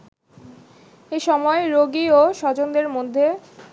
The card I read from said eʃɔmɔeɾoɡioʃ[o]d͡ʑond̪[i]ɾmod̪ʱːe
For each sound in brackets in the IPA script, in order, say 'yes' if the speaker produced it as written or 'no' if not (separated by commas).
no, no